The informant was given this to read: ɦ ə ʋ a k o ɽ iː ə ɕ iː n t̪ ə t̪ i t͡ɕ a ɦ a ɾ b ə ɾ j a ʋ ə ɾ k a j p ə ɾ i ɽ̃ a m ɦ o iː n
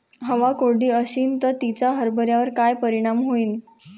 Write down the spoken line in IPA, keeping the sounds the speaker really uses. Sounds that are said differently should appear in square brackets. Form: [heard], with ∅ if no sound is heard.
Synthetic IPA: ɦ ə ʋ a k o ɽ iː ə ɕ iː n t̪ ə t̪ i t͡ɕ a ɦ [ə] ɾ b ə ɾ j a ʋ ə ɾ k a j p ə ɾ i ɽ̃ a m ɦ o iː n